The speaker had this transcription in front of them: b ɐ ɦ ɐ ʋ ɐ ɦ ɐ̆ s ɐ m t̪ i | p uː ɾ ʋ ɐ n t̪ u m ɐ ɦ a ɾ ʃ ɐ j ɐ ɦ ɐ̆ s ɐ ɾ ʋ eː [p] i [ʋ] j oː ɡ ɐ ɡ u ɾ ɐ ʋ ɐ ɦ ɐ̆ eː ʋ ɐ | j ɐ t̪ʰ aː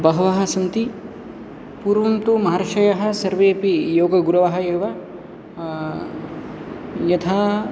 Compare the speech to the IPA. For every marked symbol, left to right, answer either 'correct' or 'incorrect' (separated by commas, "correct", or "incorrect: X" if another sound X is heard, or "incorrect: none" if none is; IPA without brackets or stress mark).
correct, incorrect: none